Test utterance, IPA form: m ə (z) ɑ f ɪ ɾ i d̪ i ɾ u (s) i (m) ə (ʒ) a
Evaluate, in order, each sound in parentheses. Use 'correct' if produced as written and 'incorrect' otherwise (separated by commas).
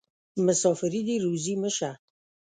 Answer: incorrect, incorrect, correct, incorrect